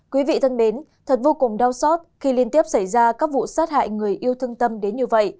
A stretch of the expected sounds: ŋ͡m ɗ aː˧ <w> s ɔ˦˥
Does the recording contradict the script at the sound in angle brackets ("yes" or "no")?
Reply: no